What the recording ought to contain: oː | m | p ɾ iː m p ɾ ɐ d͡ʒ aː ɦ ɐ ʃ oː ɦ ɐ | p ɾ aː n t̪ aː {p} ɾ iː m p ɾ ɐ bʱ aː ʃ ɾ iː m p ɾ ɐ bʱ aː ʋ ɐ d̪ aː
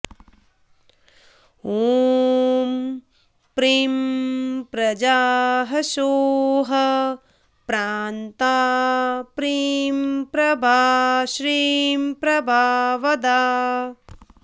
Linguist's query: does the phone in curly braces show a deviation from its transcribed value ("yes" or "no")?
no